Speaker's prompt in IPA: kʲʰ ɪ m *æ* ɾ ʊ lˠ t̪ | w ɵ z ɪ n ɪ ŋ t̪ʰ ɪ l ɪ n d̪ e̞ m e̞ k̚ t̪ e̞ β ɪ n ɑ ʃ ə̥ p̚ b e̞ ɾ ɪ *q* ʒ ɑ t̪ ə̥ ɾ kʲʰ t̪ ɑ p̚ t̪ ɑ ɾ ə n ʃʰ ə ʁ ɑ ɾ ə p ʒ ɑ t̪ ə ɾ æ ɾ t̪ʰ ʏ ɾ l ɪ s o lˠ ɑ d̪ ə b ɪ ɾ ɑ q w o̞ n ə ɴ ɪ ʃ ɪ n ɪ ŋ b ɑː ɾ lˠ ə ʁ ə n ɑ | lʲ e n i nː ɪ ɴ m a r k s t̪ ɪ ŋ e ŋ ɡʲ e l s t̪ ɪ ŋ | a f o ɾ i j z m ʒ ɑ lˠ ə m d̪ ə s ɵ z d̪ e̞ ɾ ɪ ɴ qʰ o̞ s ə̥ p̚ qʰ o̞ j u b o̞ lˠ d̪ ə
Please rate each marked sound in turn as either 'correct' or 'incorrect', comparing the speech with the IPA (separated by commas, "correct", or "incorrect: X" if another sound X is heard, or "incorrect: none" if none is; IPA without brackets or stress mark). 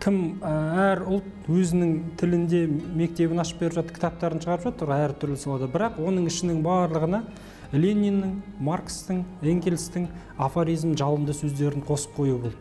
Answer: correct, incorrect: p